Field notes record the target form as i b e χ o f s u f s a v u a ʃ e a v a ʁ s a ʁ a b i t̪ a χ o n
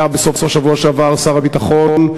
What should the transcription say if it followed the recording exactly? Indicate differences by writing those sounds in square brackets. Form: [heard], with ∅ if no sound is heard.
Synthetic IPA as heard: [a] b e [s] o f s [o] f [ʃ] a v u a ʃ e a v a ʁ s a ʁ a b i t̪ a χ o n